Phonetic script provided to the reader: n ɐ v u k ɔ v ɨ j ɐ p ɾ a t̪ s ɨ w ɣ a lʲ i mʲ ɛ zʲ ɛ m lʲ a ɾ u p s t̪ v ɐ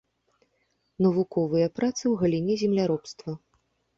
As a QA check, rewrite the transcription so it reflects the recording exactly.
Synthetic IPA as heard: n ɐ v u k ɔ v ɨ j ɐ p ɾ a t̪ s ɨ w ɣ ɐ lʲ i nʲ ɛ zʲ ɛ m lʲ a ɾ ɔ p s t̪ v ɐ